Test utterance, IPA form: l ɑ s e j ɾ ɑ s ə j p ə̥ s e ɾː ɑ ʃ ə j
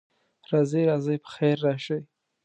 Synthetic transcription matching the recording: ɾ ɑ z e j ɾ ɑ z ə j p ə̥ x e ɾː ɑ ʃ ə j